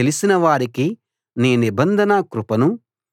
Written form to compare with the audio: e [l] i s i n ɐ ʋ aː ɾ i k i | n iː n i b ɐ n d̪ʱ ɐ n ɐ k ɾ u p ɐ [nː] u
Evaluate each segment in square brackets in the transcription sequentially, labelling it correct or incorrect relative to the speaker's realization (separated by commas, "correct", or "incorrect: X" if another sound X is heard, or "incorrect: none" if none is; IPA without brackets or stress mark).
correct, incorrect: n